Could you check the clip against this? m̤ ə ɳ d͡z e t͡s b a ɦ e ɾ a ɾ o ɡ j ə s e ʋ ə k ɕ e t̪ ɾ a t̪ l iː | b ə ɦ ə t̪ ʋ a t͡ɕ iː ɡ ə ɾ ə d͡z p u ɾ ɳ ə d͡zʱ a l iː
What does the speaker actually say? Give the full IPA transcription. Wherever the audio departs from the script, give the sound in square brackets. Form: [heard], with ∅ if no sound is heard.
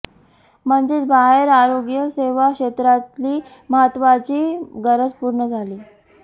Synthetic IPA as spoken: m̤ ə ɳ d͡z e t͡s b a ɦ e ɾ a ɾ o ɡ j ə s e ʋ [a] k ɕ e t̪ ɾ a t̪ l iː | [m] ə ɦ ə t̪ ʋ a t͡ɕ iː ɡ ə ɾ ə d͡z p u ɾ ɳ ə d͡zʱ a l iː